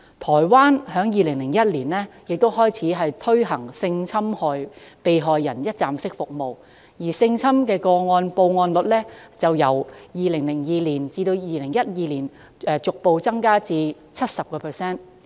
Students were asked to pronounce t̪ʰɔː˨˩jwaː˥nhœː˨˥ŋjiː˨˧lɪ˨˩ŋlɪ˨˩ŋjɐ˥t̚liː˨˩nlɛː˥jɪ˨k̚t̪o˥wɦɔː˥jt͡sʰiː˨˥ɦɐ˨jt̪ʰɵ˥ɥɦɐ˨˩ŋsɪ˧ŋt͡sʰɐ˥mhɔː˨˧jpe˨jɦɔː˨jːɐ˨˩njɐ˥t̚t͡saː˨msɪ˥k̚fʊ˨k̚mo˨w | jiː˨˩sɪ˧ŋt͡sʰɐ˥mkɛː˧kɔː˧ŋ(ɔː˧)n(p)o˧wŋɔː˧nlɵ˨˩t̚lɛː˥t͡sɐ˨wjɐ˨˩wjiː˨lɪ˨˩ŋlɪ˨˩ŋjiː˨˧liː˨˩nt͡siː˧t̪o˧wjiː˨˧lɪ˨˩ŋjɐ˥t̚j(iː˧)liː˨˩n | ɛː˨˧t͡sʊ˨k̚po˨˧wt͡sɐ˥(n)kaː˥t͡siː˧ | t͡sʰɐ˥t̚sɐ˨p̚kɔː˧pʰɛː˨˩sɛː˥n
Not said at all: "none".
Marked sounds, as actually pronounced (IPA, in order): ɔː˧, p, iː˧, ŋ

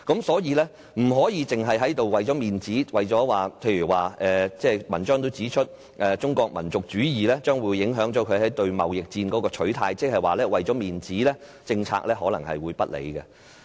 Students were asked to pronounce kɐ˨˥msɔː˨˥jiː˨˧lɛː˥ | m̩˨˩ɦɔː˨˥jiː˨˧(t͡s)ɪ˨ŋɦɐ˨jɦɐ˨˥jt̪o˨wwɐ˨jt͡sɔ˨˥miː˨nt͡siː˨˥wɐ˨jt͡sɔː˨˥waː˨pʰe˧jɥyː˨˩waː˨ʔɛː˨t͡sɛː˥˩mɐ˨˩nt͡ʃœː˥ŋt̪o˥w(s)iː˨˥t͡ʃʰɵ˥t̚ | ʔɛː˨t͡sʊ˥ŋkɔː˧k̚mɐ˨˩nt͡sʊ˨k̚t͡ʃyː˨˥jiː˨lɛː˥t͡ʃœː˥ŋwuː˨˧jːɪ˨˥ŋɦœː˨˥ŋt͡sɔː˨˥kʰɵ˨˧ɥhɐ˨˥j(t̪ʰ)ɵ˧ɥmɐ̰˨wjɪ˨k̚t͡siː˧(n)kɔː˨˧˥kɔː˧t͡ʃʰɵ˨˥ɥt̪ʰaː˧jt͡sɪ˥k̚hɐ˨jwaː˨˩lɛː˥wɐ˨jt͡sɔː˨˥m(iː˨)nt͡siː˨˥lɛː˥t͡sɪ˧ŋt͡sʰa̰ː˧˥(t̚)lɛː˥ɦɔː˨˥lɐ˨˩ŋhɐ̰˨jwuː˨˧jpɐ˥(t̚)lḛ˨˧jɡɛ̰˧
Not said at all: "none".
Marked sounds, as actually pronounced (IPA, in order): t͡s, t͡s, t̪, n, iː˨, k̚, t̚

